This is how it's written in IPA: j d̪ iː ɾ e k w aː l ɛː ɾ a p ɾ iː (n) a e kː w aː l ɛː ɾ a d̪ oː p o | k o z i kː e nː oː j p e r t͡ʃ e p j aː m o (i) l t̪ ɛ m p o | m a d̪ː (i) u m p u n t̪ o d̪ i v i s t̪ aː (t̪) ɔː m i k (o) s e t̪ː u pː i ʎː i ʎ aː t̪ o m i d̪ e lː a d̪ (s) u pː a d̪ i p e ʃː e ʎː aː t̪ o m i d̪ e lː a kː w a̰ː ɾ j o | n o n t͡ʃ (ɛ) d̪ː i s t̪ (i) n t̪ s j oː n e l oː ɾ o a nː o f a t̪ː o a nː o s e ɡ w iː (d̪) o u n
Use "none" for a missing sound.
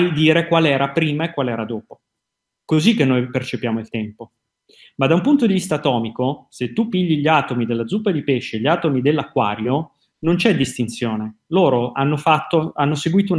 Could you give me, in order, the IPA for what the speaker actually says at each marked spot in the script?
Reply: m, i, a, t̪, o, z, ɛ, i, t̪

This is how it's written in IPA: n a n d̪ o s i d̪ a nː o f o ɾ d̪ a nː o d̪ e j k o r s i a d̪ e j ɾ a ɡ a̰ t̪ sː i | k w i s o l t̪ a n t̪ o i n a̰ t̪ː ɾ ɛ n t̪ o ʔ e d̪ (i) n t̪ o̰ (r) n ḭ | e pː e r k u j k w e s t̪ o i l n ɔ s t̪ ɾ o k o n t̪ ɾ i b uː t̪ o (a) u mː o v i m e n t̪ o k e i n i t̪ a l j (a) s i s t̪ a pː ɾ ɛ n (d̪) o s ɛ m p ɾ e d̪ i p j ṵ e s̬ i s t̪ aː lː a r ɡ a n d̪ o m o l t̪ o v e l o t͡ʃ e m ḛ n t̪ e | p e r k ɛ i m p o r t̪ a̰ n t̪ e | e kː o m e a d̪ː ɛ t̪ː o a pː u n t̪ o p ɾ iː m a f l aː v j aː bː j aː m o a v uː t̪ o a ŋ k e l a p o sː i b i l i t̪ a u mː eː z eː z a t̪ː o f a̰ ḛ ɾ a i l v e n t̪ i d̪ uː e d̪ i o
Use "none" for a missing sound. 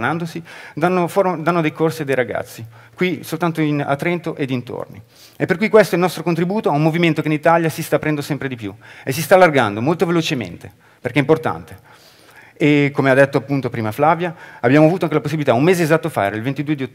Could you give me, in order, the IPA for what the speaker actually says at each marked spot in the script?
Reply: i, r, a, a, d̪

